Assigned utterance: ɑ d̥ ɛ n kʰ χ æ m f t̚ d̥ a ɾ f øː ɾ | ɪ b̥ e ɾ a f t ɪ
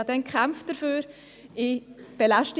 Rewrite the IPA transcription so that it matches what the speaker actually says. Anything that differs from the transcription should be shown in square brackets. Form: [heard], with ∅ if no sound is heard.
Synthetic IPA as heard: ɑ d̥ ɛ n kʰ χ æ m f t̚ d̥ [ə] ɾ f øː ɾ | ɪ b̥ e [l] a [ʃ] t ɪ